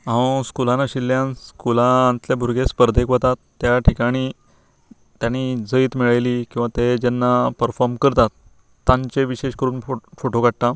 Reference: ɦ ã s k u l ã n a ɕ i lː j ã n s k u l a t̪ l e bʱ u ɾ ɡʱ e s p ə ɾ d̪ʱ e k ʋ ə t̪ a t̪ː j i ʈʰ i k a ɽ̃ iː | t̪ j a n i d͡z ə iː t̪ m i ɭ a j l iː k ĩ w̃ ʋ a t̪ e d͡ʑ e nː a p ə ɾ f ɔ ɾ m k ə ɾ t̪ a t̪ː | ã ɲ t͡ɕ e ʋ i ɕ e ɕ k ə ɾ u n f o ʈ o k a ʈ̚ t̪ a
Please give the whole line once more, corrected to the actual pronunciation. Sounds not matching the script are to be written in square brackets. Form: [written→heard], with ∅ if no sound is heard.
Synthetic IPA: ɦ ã s k u l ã n a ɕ i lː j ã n s k u l a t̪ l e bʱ u ɾ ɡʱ e s p ə ɾ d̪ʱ e k ʋ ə t̪ a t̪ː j [i→a] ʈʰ i k a ɽ̃ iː | t̪ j a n i d͡z ə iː t̪ m i ɭ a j l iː k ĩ w̃ ʋ a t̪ e d͡ʑ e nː a p ə ɾ f ɔ ɾ m k ə ɾ t̪ a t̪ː | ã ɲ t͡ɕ e ʋ i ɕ e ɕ k ə ɾ [u→uː] n f o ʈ o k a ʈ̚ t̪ a